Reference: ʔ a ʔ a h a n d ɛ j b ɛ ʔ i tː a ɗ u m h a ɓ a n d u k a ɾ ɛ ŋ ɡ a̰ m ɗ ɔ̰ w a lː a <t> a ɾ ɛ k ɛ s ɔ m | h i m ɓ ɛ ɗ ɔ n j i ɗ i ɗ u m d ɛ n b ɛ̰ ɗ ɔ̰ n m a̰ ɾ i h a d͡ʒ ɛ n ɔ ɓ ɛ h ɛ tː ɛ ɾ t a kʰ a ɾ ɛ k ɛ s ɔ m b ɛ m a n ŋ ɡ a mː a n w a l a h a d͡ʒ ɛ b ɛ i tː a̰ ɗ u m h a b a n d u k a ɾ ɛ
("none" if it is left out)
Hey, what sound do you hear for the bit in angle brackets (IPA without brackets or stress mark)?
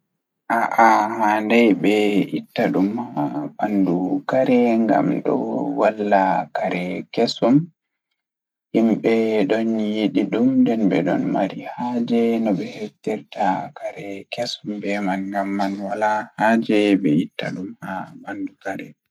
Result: k